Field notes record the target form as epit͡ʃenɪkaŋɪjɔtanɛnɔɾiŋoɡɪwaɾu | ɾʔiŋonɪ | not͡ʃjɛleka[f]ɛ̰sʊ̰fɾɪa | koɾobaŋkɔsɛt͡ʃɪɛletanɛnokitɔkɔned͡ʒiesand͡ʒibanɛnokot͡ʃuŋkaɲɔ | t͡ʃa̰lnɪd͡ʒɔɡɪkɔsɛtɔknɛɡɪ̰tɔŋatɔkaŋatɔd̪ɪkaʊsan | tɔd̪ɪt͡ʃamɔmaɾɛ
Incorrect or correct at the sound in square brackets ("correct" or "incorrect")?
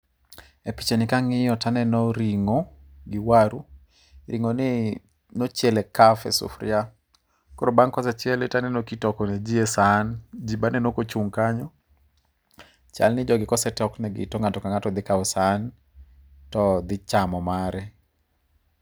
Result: correct